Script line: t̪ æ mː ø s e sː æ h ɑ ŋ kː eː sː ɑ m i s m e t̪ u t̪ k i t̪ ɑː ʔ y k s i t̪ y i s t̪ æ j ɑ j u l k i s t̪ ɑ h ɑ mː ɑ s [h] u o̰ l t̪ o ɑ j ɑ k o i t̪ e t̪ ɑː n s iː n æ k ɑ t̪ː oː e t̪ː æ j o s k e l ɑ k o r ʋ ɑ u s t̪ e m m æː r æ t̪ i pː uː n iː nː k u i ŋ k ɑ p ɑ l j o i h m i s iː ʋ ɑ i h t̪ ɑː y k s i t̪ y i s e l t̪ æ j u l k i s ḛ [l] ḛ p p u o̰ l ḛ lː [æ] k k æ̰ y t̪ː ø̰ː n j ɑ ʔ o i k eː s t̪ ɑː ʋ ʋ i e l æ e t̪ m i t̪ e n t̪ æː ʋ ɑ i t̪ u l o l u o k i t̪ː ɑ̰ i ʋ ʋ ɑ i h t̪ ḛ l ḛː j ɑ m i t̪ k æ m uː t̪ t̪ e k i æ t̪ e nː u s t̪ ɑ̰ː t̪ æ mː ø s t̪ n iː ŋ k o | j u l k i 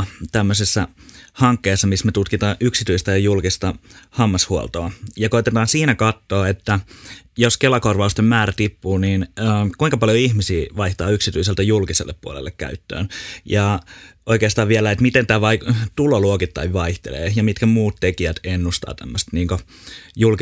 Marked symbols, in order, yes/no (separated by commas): yes, no, no